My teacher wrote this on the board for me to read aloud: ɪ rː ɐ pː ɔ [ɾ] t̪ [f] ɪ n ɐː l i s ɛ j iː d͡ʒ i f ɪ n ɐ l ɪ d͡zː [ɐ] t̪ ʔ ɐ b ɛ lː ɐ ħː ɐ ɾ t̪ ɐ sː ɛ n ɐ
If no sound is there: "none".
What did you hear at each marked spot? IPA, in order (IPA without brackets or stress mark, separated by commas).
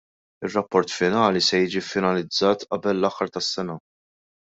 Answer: ɾ, f, ɐː